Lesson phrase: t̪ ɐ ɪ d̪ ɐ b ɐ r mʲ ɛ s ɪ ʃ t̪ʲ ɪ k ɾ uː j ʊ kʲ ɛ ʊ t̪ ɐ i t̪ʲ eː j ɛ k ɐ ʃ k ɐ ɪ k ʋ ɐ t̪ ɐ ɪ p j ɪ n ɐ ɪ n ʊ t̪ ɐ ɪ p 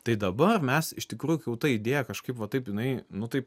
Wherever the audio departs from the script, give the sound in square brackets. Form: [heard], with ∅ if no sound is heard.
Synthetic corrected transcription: t̪ ɐ ɪ d̪ ɐ b ɐ r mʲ ɛ s ɪ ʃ t̪ʲ ɪ k ɾ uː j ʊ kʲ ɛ ʊ t̪ ɐ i [d̪ʲ] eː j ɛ k ɐ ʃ k ɐ ɪ [p] ʋ ɐ t̪ ɐ ɪ p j ɪ n ɐ ɪ n ʊ t̪ ɐ ɪ p